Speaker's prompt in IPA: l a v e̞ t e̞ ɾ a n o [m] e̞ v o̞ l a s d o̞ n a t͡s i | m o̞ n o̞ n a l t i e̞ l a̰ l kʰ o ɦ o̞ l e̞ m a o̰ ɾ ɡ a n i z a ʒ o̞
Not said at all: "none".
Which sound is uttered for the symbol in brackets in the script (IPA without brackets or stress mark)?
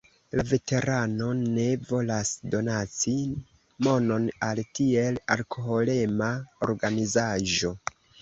n